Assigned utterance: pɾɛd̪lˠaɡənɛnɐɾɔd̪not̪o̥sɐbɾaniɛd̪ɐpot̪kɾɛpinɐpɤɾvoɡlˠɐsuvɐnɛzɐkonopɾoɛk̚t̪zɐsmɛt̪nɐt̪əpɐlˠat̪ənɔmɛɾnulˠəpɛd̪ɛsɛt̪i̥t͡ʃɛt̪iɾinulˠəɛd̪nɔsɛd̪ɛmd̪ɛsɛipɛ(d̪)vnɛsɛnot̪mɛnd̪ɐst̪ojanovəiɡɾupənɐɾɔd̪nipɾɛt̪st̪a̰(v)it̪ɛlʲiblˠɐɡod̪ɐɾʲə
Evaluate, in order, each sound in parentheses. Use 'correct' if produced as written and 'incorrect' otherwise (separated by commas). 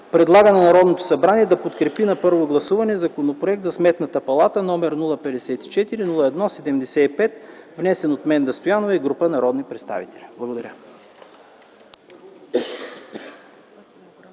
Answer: incorrect, correct